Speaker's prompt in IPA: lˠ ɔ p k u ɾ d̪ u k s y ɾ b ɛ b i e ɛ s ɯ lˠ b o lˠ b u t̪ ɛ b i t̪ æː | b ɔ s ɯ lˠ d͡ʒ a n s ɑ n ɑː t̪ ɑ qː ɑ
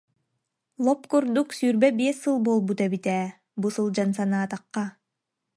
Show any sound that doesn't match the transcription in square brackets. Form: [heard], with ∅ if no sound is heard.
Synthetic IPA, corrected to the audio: lˠ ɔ p k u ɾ d̪ u k s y ɾ b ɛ b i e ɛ s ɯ lˠ b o lˠ b u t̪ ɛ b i t̪ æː | b [u] s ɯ lˠ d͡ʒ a n s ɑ n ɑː t̪ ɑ qː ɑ

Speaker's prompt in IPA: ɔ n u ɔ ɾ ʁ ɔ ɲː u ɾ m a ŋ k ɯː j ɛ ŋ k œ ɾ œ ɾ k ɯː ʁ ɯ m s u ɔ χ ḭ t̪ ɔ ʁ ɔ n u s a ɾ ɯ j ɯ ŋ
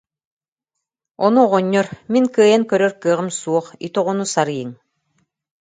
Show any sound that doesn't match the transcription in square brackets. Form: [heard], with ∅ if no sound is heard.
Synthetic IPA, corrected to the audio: ɔ n u ɔ [∅] ʁ ɔ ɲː [ɔ] ɾ m [i] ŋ k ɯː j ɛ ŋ k œ ɾ œ ɾ k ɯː ʁ ɯ m s u ɔ χ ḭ t̪ ɔ ʁ ɔ n u s a ɾ ɯ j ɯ ŋ

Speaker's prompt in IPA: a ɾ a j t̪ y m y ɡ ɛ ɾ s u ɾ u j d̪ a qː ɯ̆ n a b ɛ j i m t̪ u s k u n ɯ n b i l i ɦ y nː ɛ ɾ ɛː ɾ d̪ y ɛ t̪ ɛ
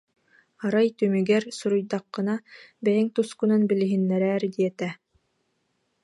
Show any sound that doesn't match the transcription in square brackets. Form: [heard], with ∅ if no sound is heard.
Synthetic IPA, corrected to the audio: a ɾ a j t̪ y m y ɡ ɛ ɾ s u ɾ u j d̪ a qː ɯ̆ n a b ɛ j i [ŋ] t̪ u s k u n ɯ n b i l i ɦ [i] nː ɛ ɾ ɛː ɾ d̪ [i] ɛ t̪ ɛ

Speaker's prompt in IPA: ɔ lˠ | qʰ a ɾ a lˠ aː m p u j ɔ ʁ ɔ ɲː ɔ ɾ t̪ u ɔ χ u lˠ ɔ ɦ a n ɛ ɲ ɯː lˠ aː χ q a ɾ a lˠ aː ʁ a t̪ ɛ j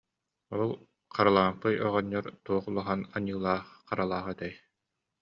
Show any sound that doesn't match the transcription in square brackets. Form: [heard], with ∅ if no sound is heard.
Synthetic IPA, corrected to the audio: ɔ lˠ | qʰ a ɾ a lˠ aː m p [ɯ] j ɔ ʁ ɔ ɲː ɔ ɾ t̪ u ɔ χ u lˠ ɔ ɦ a n [a] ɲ ɯː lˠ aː χ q a ɾ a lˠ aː ʁ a t̪ ɛ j

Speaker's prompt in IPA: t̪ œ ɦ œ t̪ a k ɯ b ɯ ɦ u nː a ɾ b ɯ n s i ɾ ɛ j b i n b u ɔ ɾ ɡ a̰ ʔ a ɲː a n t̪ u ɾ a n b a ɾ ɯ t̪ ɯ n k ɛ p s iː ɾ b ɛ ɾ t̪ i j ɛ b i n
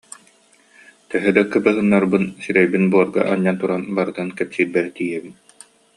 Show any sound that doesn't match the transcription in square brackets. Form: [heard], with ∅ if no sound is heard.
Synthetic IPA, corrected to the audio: t̪ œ ɦ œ [d̪] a k ɯ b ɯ ɦ [ɯ] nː a ɾ b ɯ n s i ɾ ɛ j b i n b u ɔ ɾ ɡ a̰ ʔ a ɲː a n t̪ u ɾ a n b a ɾ ɯ t̪ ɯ n k ɛ p s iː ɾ b ɛ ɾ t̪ i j ɛ b i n

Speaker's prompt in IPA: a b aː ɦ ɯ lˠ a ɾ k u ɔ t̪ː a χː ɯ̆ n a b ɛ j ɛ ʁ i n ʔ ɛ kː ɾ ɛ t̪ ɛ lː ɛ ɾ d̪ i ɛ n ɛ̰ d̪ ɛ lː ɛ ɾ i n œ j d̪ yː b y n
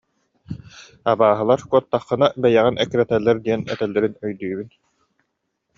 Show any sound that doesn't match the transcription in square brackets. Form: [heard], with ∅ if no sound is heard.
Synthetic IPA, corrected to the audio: a b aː ɦ ɯ lˠ a ɾ k u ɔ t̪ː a χː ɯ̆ n a b ɛ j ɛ ʁ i n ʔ ɛ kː ɾ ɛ t̪ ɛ lː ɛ ɾ d̪ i ɛ n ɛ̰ [t̪] ɛ lː ɛ ɾ i n œ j d̪ yː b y n

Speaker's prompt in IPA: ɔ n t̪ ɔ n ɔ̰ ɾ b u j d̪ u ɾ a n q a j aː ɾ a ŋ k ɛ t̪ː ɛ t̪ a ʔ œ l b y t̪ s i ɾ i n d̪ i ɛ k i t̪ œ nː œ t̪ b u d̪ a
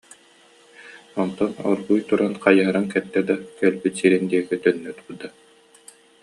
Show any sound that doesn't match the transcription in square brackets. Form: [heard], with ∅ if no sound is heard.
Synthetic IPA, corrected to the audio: ɔ n t̪ ɔ n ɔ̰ ɾ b u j [t̪] u ɾ a n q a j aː ɾ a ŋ k ɛ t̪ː ɛ [d̪] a [k] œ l b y t̪ s i ɾ i n d̪ i ɛ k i t̪ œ nː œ t̪ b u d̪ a

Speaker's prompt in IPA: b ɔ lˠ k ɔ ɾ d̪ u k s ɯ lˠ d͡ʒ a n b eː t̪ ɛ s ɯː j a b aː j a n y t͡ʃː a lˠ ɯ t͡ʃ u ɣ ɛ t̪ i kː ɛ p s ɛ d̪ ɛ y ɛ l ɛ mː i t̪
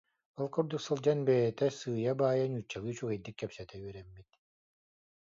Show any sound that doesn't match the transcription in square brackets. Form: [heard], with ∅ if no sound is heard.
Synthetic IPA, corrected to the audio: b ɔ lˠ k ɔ ɾ d̪ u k s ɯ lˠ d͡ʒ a n b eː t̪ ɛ s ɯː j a b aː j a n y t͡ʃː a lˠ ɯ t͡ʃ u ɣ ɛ [d̪] i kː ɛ p s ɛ [t̪] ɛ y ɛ [ɾ] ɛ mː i t̪

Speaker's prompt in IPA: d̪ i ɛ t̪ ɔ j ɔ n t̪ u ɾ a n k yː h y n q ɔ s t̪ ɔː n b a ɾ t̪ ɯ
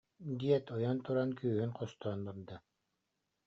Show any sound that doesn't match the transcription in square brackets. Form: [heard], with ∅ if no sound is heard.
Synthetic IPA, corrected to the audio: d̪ i ɛ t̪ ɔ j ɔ n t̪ u ɾ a n k yː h y n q ɔ s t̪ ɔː n b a ɾ [d̪] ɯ

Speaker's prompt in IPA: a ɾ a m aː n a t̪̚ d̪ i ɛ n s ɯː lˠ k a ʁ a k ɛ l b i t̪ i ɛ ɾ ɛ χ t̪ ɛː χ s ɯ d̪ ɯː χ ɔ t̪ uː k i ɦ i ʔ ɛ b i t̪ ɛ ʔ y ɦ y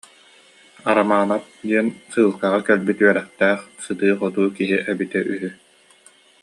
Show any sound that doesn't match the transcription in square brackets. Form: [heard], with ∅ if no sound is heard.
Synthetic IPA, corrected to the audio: a ɾ a m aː n a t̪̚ d̪ i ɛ n s ɯː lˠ k a ʁ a k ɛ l b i t̪ [y] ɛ ɾ ɛ χ t̪ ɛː χ s ɯ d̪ ɯː χ ɔ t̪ uː k i ɦ i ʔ ɛ b i t̪ ɛ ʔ y ɦ y

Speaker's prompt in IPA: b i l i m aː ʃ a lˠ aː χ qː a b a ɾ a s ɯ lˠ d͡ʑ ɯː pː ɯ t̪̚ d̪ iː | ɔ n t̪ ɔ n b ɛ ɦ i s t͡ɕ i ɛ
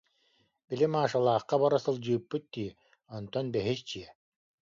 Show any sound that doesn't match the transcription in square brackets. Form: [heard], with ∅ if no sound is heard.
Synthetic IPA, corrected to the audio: b i l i m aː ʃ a lˠ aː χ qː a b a ɾ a s ɯ lˠ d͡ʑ ɯː pː ɯ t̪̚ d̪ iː | ɔ n t̪ ɔ n b ɛ ɦ i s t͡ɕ i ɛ

